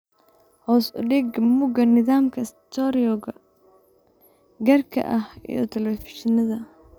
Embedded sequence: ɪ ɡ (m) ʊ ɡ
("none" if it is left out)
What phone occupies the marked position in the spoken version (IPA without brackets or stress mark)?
m